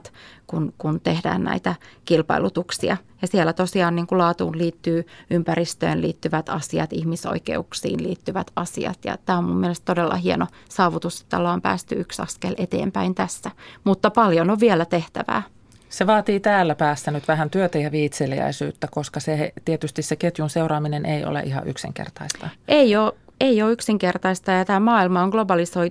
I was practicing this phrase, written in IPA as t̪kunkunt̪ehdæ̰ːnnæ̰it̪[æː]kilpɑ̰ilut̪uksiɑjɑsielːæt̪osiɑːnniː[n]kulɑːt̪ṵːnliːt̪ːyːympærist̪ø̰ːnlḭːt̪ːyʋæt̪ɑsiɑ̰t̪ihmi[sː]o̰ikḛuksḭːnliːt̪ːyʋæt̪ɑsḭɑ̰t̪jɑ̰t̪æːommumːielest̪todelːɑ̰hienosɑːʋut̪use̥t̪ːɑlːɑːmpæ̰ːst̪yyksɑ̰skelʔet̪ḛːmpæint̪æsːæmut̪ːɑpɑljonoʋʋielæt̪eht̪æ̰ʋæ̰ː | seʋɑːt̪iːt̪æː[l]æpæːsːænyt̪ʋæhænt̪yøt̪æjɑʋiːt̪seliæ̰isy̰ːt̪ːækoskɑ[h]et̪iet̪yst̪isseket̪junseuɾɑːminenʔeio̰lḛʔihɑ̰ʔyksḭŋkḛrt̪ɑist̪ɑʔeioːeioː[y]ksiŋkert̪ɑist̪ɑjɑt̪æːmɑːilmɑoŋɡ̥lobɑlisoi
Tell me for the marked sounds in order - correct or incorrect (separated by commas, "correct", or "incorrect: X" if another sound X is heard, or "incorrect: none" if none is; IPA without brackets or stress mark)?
incorrect: æ, incorrect: ŋ, incorrect: s, incorrect: lː, incorrect: s, correct